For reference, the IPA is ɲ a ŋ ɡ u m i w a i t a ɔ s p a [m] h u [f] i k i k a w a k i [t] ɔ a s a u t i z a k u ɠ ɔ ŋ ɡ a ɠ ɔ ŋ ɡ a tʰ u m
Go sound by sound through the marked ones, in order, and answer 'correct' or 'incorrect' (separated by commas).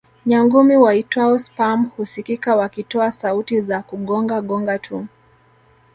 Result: correct, incorrect, correct